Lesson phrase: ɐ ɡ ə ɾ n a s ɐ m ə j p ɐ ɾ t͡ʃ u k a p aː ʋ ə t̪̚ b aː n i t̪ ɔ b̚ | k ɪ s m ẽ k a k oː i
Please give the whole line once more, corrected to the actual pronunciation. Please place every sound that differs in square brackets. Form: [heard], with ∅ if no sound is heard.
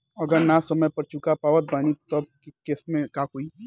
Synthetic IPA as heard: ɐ ɡ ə ɾ n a s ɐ m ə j p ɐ ɾ t͡ʃ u k a p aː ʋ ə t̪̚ b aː n i t̪ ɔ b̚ | k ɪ s m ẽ k a k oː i